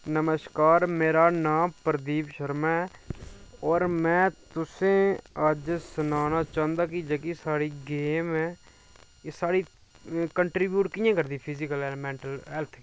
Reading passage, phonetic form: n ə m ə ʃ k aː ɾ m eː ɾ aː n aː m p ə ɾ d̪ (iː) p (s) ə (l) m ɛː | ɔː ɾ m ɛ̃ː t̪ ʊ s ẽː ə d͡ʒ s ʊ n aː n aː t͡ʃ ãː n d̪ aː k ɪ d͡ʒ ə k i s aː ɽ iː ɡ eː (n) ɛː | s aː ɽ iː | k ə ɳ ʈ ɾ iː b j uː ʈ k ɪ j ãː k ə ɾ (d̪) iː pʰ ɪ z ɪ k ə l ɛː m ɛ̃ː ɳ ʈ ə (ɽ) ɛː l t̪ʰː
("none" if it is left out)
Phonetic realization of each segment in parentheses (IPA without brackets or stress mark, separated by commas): iː, ʃ, ɾ, m, d̪, l